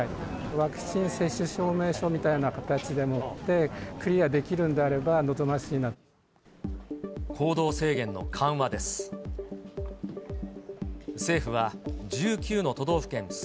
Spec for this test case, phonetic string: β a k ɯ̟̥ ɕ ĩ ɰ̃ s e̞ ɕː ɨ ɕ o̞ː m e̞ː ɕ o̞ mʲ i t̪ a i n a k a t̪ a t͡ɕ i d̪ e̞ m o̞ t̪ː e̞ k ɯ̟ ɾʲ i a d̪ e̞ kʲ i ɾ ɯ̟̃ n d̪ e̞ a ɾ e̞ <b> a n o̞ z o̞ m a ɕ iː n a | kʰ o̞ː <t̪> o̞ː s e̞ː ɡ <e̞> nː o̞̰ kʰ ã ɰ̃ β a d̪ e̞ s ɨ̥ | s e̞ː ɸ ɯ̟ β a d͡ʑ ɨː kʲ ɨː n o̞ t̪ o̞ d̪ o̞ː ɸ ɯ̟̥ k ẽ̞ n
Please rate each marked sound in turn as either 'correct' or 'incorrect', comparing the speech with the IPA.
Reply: correct, incorrect: d̪, incorrect: ẽ̞

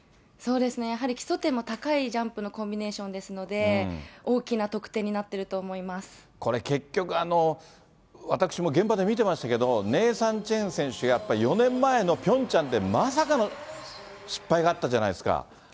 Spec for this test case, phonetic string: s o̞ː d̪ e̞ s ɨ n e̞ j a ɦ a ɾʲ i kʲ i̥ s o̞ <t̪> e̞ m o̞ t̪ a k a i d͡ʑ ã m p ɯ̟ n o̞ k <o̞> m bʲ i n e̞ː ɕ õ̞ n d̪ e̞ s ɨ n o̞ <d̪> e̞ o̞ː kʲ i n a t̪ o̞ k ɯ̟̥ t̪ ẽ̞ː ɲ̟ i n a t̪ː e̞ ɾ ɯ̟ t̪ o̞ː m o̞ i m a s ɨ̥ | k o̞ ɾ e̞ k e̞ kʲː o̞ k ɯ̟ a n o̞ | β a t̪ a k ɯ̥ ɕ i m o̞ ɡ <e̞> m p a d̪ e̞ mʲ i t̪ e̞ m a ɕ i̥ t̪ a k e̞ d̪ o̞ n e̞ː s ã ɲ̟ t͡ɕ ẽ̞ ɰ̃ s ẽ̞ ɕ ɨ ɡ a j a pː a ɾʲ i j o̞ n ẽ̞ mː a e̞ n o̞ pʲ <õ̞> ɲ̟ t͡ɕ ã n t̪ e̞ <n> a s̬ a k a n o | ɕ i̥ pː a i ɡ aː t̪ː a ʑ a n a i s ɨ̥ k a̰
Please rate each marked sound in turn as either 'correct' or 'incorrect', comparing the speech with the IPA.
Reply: correct, incorrect: õ̞, correct, incorrect: ẽ̞, correct, incorrect: m

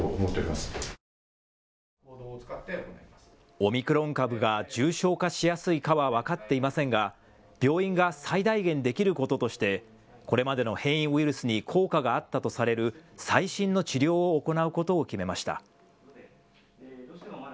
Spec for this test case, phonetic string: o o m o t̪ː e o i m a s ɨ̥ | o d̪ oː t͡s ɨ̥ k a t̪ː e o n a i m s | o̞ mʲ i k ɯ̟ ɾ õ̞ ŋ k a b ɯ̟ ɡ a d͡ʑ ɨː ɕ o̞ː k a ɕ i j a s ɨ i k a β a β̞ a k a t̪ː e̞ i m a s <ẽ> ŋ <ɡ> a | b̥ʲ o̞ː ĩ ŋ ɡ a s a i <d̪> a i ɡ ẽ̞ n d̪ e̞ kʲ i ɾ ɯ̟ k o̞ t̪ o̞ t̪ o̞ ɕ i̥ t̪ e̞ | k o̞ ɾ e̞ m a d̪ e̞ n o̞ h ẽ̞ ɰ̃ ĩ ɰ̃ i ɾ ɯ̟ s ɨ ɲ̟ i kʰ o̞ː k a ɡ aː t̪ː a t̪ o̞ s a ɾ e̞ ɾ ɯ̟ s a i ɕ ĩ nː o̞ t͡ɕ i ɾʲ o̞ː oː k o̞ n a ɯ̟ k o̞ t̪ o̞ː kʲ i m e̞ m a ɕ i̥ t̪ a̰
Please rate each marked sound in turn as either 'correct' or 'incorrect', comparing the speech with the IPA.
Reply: correct, correct, correct

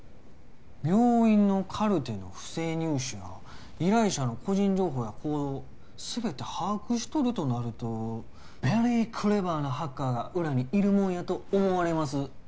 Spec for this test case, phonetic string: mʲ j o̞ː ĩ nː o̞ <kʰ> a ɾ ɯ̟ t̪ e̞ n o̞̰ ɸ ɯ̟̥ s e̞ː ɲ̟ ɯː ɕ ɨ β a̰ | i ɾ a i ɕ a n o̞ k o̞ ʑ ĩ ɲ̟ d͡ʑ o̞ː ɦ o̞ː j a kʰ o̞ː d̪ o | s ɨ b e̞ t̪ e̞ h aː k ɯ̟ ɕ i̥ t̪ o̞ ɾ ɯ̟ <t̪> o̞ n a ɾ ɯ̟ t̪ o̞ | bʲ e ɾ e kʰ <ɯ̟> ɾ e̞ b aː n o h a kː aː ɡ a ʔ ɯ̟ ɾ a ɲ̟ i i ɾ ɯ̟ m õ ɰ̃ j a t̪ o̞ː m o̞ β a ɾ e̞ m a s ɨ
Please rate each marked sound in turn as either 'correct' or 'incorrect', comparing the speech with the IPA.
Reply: correct, correct, correct

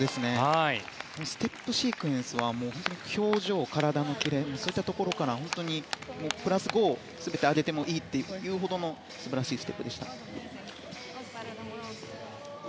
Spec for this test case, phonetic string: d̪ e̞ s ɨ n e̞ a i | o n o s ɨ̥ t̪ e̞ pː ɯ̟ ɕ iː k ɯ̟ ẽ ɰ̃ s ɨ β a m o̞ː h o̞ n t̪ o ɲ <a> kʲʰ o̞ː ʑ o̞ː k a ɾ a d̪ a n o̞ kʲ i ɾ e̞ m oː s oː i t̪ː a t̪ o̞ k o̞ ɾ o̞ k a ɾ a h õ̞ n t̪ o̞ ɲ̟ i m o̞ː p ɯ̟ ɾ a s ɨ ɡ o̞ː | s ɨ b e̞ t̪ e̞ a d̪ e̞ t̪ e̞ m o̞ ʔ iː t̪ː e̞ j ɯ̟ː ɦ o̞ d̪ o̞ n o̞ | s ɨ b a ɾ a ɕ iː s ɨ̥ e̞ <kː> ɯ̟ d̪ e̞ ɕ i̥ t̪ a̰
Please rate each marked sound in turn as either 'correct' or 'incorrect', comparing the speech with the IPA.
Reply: incorrect: i, incorrect: pː

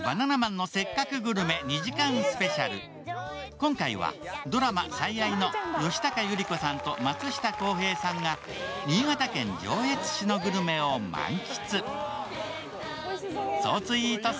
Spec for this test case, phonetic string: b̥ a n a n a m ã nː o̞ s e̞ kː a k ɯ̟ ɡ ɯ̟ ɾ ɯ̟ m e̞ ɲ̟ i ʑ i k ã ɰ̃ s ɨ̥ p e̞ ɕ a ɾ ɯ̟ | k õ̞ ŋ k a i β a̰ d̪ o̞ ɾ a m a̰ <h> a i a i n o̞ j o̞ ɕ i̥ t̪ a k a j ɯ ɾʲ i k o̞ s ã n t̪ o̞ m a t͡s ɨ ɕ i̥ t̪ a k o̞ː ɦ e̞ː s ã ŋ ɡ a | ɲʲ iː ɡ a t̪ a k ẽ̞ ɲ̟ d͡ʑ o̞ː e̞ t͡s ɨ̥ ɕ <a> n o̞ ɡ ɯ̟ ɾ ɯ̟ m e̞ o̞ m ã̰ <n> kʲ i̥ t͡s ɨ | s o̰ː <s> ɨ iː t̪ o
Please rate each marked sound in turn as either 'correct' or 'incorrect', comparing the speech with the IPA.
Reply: incorrect: s, incorrect: i, incorrect: ŋ, incorrect: t͡s

